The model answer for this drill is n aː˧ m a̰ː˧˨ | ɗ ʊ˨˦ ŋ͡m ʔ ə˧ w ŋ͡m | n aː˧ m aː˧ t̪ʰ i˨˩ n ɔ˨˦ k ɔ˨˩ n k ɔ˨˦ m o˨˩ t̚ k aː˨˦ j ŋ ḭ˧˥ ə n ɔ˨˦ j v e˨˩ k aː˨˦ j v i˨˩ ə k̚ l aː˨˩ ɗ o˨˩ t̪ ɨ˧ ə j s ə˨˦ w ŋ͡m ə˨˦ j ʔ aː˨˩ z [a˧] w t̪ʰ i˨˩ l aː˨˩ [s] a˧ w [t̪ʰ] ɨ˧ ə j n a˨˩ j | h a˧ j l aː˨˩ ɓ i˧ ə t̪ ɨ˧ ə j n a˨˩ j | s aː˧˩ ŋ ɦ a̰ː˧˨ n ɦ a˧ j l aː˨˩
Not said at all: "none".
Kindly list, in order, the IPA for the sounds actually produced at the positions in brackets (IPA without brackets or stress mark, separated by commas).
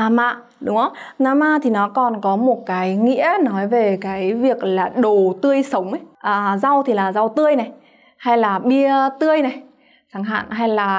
a˧, z, t̪